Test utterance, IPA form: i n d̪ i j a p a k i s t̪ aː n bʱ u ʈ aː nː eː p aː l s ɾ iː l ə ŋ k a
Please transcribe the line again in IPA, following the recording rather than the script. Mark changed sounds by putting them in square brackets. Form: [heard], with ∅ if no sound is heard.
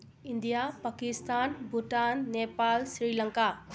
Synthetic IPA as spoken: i n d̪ i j a p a k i s t̪ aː n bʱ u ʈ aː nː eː p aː l s ɾ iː l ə ŋ k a